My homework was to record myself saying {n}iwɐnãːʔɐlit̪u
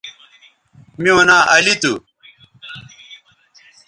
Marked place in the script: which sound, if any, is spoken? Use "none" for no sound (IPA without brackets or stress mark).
m